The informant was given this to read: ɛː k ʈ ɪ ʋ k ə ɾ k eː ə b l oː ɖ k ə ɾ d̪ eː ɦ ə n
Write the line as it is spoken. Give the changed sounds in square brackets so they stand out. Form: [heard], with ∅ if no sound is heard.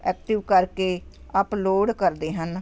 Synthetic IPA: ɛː k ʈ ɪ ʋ k ə ɾ k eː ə [p] l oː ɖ k ə ɾ d̪ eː ɦ ə n